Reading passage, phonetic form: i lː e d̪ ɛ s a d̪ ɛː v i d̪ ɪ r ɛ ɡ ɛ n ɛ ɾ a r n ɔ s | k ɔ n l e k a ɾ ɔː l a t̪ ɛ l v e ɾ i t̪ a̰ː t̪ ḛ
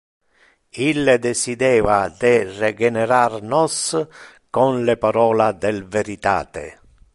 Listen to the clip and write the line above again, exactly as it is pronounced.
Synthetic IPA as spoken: i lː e d̪ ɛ s i d̪ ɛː v a d̪ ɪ r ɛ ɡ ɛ n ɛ ɾ a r n ɔ s | k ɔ n l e p a ɾ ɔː l a d̪ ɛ l v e ɾ i t̪ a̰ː t̪ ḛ